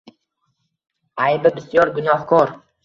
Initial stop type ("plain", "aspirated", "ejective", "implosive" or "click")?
plain